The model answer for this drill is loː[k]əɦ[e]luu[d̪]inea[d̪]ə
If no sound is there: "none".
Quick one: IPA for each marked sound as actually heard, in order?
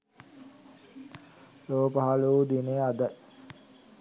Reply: p, a, d̪, d̪

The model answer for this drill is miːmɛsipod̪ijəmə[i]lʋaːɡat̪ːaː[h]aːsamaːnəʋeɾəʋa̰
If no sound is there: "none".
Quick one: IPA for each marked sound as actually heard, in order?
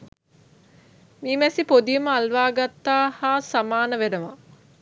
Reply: a, h

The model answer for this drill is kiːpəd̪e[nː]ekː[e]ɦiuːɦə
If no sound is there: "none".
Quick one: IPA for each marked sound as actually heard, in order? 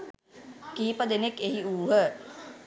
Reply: n, e

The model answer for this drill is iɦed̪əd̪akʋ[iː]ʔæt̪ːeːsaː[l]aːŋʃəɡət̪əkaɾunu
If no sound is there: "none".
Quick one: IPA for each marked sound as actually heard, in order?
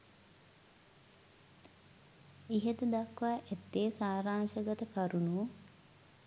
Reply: aː, ɾ

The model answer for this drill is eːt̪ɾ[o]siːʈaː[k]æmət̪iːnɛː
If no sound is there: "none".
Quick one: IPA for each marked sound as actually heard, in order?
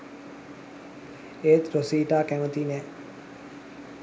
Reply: o, k

